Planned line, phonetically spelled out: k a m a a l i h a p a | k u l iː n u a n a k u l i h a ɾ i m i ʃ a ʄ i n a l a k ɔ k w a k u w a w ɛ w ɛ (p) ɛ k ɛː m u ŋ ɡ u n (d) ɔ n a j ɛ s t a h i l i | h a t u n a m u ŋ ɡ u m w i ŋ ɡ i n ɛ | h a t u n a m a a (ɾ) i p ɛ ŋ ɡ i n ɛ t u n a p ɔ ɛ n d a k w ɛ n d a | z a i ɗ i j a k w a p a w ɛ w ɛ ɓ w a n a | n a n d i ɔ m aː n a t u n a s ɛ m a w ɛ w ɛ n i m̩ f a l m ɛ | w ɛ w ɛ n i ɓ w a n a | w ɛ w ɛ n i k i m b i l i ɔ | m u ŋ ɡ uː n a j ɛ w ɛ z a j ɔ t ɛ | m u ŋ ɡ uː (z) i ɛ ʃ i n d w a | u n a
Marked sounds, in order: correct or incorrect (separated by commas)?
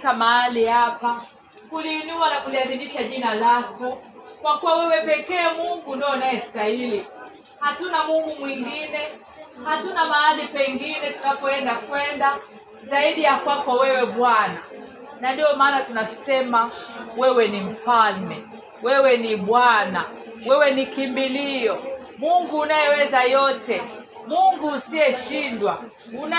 correct, correct, incorrect, incorrect